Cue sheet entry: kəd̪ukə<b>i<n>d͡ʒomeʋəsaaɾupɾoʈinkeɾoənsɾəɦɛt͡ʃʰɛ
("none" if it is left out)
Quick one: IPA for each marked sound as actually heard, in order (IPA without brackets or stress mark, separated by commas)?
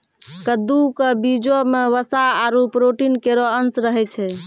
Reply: b, none